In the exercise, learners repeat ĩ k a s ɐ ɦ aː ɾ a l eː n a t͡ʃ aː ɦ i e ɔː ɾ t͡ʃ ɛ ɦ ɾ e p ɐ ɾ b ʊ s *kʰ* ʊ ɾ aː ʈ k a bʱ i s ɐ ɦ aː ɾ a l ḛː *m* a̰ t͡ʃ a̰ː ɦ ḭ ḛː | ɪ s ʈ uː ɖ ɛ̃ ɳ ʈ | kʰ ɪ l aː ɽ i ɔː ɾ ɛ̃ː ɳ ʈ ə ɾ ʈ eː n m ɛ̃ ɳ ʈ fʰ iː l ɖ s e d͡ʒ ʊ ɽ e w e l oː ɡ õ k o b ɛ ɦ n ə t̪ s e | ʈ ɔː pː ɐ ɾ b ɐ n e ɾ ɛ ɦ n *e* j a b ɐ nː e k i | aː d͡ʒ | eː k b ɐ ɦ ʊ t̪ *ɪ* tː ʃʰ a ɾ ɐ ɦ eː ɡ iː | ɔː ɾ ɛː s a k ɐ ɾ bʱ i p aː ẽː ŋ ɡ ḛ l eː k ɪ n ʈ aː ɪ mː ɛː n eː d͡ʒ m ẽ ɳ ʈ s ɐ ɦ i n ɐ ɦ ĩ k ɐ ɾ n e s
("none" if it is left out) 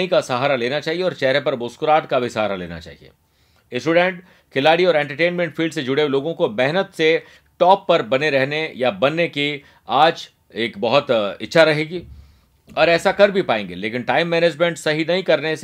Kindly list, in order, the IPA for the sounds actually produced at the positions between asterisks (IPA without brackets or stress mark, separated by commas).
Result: k, n, e, ɪ